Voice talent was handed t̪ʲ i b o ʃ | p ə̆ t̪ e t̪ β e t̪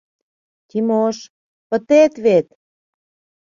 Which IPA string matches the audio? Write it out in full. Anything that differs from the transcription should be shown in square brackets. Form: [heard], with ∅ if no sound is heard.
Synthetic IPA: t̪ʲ i [m] o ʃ | p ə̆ t̪ e t̪ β e t̪